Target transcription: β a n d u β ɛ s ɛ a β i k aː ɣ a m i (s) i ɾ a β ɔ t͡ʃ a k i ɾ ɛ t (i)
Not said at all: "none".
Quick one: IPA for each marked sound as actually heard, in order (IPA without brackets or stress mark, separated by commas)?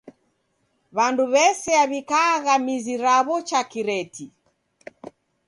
z, i